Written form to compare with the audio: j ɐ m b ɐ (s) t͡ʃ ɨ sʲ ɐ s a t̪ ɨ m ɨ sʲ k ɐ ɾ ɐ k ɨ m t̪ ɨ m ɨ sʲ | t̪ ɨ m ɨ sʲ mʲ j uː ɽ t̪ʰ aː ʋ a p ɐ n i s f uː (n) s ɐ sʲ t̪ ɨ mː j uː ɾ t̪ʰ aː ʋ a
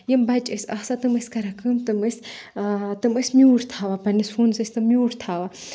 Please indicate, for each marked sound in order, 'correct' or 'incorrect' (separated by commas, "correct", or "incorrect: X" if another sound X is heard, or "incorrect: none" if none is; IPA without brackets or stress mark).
incorrect: none, correct